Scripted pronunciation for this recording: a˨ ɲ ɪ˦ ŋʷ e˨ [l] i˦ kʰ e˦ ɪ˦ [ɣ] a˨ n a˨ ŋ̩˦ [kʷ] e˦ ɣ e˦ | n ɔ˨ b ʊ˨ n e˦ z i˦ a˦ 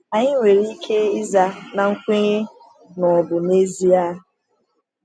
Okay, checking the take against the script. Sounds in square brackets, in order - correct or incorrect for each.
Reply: incorrect, incorrect, correct

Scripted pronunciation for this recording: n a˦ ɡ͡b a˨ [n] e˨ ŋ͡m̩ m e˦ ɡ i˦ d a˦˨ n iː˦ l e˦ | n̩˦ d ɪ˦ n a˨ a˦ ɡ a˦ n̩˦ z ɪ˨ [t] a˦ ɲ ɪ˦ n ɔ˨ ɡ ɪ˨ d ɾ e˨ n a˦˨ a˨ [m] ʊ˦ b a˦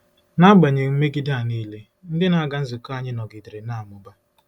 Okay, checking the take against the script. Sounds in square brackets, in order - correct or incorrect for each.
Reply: incorrect, incorrect, correct

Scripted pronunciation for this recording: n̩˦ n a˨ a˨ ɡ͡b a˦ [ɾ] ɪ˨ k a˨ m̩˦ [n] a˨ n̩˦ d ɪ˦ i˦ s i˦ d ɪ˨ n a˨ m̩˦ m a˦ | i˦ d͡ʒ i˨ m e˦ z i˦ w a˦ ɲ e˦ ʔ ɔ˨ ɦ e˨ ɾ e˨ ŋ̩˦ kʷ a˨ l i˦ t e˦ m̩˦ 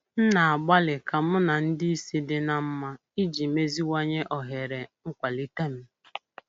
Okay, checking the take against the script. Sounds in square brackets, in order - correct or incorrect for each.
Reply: incorrect, correct

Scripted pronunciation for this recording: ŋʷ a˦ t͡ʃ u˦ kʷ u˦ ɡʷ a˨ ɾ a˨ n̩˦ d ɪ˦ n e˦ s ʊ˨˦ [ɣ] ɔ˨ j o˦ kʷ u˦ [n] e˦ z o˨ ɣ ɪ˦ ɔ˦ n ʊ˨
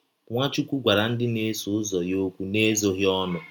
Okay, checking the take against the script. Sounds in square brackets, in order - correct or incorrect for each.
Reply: incorrect, correct

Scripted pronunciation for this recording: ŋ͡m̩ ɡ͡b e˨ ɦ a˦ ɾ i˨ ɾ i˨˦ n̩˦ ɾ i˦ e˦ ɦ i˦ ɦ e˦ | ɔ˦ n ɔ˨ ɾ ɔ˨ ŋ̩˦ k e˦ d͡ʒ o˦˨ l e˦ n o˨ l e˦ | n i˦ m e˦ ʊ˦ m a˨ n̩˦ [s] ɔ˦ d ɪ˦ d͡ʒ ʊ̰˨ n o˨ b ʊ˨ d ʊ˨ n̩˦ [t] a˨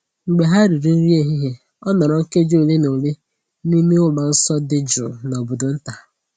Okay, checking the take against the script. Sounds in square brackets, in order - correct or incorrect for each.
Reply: correct, correct

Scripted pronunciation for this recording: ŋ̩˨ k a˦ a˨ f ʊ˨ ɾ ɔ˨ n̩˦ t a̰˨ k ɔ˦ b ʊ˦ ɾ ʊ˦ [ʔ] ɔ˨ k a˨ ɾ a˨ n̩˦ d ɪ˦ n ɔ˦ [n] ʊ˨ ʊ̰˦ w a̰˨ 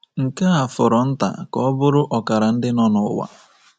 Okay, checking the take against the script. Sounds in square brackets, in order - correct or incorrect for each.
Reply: correct, correct

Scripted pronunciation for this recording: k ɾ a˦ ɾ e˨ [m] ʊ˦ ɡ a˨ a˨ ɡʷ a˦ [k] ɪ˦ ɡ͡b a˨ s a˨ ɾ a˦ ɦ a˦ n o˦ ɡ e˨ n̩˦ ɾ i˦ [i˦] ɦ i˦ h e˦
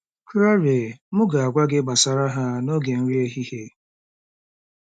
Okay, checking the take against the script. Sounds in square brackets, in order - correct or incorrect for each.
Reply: correct, incorrect, incorrect

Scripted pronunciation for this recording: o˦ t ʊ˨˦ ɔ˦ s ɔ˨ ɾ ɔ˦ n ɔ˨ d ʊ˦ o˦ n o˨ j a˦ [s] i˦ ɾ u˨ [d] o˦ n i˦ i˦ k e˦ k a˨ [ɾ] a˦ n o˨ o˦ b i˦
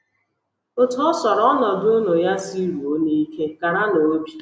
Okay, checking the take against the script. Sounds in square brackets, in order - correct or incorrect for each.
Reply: correct, incorrect, correct

